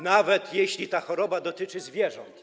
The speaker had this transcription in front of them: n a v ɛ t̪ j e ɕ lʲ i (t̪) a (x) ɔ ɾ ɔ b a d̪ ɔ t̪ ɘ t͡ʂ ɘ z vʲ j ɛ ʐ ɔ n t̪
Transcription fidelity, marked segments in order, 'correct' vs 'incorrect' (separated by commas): correct, correct